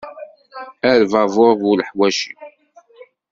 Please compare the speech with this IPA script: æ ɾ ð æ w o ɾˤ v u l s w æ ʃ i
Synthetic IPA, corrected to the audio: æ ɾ v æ v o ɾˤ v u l ħ w æ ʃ i